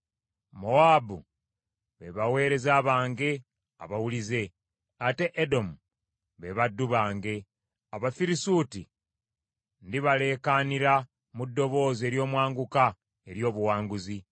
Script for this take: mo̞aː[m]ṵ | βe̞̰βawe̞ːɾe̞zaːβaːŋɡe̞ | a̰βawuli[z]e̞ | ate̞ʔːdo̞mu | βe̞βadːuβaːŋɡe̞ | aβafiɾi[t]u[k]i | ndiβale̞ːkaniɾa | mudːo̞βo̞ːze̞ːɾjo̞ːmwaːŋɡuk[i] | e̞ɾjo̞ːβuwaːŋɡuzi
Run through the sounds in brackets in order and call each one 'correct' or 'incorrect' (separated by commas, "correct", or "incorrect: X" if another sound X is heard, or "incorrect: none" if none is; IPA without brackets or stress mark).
incorrect: b, correct, incorrect: s, incorrect: t, incorrect: a